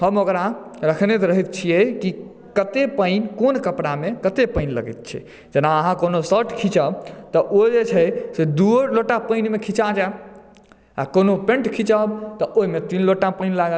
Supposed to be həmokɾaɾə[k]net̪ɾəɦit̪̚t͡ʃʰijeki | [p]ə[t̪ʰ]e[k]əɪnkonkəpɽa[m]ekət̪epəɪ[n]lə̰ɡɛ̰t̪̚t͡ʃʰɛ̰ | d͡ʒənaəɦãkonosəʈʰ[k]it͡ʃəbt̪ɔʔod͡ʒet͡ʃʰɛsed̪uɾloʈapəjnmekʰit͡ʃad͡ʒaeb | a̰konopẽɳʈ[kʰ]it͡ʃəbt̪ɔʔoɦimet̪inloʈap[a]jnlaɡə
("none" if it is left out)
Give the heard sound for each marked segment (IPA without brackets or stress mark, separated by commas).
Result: kʰ, k, t̪, p, m, n, kʰ, kʰ, ə